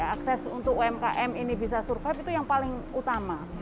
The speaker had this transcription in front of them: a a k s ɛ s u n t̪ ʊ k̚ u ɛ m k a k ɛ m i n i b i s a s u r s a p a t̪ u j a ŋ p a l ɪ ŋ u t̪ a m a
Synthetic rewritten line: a a k s ɛ s u n t̪ ʊ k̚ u ɛ m k a ʔ ɛ m i n i b i s a s u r f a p i t̪ u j a ŋ p a l ɪ ŋ u t̪ a m a